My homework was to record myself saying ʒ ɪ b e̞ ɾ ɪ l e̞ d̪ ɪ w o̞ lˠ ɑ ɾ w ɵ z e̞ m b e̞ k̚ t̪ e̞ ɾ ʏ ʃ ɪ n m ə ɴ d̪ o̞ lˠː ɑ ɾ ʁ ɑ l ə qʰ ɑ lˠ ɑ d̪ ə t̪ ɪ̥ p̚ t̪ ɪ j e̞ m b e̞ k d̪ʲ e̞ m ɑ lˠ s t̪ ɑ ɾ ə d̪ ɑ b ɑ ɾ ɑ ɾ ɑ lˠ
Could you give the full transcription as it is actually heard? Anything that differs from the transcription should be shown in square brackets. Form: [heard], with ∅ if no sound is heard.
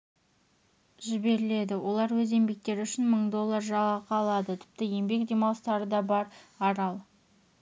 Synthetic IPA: ʒ ɪ b e̞ ɾ ɪ l e̞ d̪ ɪ w o̞ lˠ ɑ ɾ w ɵ z e̞ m b e̞ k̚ t̪ e̞ ɾ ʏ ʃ ɪ n m ə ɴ d̪ o̞ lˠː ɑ ɾ [ʒ] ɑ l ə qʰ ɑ lˠ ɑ d̪ ə [t̪ʰ] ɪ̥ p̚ t̪ ɪ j e̞ m b e̞ k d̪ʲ e̞ m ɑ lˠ s t̪ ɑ ɾ ə d̪ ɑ b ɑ ɾ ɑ ɾ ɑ lˠ